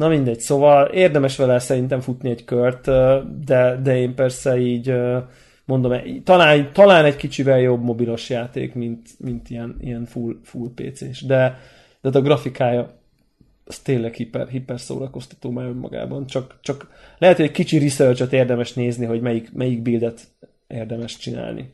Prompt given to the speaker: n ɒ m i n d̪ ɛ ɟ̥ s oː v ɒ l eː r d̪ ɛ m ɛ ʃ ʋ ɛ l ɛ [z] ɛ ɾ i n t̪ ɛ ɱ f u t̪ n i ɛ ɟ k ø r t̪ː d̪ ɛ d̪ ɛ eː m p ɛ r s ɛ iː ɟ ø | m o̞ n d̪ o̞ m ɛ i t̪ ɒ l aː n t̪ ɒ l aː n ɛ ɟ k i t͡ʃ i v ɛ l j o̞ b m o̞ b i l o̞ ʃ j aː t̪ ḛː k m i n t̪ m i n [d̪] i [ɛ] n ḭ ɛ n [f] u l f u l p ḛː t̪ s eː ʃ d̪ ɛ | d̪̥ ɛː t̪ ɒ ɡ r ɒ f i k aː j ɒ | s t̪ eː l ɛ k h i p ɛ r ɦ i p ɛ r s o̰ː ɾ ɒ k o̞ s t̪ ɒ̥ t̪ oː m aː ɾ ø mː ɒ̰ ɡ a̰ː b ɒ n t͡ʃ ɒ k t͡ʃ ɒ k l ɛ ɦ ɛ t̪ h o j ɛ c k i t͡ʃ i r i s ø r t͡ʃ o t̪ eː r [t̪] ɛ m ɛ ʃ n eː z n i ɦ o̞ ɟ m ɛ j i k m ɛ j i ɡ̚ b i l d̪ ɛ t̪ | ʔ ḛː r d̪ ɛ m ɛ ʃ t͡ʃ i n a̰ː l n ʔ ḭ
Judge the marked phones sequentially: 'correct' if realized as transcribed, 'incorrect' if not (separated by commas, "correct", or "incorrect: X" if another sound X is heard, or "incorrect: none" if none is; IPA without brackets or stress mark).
incorrect: s, incorrect: t̪, correct, correct, incorrect: d̪